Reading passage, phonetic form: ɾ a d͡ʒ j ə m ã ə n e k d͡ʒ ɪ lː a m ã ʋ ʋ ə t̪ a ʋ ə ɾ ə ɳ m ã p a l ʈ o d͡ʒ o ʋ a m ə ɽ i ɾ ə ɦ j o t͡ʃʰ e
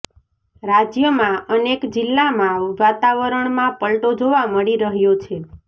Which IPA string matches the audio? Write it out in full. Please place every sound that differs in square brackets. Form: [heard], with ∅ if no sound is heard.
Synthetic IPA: ɾ a d͡ʒ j ə m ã ə n e k d͡ʒ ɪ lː a m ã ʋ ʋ [a] t̪ a ʋ ə ɾ ə ɳ m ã p [ə] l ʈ o d͡ʒ o ʋ a m ə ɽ i ɾ ə ɦ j o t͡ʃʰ e